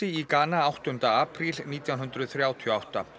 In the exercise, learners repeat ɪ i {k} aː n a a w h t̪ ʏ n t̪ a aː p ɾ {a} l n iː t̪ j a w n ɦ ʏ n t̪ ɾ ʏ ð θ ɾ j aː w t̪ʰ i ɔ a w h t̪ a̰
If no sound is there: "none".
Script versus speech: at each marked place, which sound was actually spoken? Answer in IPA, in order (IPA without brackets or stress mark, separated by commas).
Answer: k, i